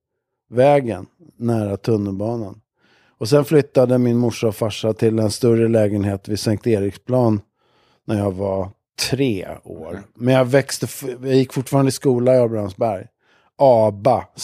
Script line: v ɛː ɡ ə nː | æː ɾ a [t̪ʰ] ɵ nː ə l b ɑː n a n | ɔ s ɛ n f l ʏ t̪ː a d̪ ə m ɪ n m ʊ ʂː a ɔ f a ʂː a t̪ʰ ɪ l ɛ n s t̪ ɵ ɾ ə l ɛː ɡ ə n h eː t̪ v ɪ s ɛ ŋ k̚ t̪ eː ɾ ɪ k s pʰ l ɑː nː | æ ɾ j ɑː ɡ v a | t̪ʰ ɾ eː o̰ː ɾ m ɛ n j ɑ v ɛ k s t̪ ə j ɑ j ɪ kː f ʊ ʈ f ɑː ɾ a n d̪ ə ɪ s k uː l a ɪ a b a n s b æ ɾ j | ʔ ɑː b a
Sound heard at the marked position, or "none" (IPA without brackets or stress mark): t̪ʰ